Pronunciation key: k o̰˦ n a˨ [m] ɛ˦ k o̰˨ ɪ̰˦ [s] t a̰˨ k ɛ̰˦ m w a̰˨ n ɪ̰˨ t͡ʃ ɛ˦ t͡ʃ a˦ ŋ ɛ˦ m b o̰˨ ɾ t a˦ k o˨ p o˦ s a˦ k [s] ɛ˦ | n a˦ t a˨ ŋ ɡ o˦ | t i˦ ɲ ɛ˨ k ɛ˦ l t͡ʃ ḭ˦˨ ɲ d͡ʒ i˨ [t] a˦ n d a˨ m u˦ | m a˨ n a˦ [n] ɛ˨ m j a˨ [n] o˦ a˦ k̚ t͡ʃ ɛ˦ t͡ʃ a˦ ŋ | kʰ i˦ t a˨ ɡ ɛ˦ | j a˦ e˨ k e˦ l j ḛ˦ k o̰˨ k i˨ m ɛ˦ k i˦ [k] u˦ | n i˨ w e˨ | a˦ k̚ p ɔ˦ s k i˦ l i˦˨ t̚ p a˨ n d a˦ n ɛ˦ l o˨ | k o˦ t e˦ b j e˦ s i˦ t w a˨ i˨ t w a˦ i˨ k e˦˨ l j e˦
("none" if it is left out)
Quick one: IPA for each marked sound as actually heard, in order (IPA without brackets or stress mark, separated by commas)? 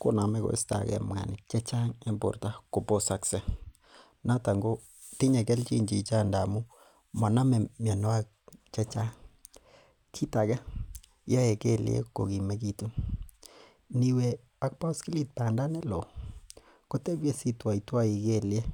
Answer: m, s, s, t͡ʃ, m, n, t